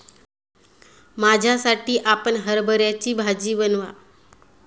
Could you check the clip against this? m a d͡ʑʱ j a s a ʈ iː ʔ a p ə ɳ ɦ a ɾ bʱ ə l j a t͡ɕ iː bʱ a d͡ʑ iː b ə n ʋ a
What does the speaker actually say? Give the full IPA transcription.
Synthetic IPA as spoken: m a d͡ʑʱ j a s a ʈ iː ʔ a p ə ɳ ɦ ə ɾ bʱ ə ɾ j a t͡ɕ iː bʱ a d͡ʑ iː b ə n ʋ a